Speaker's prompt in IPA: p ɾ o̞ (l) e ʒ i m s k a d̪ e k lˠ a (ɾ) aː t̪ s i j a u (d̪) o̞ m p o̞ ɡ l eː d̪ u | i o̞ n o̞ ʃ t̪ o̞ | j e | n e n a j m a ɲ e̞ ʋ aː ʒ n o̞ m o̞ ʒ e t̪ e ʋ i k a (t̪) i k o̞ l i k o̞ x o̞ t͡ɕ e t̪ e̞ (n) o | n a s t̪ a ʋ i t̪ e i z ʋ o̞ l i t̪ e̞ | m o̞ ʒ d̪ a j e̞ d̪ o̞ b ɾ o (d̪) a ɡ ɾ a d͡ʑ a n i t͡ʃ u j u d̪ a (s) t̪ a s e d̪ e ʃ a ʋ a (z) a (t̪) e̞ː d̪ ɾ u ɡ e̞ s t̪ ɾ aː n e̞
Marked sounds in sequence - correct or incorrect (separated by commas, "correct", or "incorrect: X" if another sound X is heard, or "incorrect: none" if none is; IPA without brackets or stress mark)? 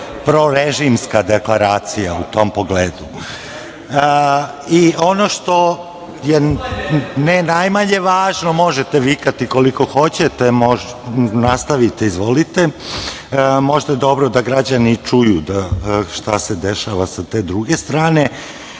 incorrect: ɾ, correct, incorrect: t̪, correct, incorrect: m, correct, incorrect: ʃ, incorrect: s, correct